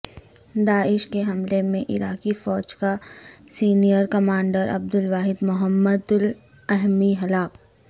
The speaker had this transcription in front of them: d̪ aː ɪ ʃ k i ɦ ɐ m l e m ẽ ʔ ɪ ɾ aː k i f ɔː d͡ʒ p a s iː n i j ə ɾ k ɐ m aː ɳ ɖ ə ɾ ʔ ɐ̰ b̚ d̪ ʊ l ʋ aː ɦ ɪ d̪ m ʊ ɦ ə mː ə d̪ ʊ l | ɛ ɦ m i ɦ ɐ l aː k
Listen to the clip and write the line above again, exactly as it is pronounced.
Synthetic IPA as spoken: d̪ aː ɪ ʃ k e ɦ ɐ m l e m ẽ ʔ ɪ ɾ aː k i f ɔː d͡ʒ k a s iː n i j ə ɾ k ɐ m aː ɳ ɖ ə ɾ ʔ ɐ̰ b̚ d̪ ʊ l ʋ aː ɦ ɪ d̪ m ʊ ɦ ə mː ə d̪ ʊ l | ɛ ɦ m i ɦ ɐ l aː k